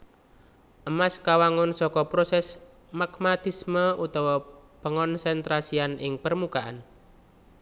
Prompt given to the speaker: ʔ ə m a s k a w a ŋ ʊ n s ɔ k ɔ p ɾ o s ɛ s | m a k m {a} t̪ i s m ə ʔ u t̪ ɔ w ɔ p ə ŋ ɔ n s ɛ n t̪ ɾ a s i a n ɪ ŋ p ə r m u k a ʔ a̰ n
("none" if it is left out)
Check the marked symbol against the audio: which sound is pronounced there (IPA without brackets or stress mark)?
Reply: a